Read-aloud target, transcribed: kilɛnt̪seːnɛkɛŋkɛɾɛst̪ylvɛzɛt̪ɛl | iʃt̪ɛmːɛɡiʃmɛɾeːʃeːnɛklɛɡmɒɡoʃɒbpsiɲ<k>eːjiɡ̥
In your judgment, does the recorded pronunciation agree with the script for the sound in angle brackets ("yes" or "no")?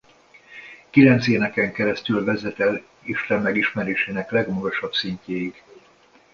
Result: no